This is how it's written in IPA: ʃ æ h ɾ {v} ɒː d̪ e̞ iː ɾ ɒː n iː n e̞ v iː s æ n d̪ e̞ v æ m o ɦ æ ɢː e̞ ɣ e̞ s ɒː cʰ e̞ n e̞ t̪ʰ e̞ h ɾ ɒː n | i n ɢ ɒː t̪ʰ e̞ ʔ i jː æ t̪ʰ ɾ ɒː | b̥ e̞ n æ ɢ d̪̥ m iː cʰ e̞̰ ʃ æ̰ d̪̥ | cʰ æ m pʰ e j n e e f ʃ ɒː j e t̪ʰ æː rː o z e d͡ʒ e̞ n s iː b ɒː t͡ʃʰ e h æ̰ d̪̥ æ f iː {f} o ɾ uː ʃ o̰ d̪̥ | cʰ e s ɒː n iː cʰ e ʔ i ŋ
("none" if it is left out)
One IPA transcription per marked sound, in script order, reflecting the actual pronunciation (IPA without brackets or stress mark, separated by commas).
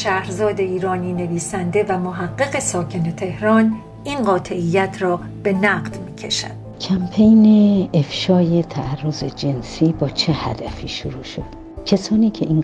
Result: z, ʃ